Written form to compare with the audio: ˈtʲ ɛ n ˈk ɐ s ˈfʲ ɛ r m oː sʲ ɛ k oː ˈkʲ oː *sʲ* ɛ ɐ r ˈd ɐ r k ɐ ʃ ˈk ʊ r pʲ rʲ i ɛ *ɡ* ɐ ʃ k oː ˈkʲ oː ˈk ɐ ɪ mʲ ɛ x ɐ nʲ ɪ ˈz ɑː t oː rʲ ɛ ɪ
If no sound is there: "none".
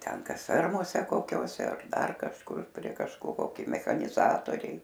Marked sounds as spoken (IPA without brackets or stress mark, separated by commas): sʲ, k